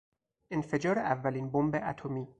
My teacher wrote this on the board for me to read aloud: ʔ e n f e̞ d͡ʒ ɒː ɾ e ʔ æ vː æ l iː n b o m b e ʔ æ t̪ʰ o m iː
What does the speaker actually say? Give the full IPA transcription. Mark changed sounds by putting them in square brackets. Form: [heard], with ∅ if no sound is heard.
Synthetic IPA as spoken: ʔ e n f e̞ d͡ʒ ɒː ɾ e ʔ æ vː æ l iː n b o m b e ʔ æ t̪ʰ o m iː